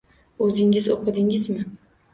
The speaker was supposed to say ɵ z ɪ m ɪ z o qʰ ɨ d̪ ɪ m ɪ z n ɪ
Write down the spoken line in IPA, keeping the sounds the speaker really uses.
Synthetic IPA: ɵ z ɪ ŋ ɪ z o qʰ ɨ d̪ ɪ ŋ ɪ z m ɪ